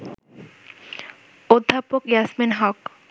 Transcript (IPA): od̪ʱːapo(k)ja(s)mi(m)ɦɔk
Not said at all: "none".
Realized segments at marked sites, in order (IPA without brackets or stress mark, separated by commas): k, s, n